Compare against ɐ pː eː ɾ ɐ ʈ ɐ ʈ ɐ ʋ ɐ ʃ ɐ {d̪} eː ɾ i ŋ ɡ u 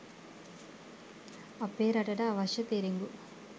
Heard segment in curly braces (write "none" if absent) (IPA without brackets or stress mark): t̪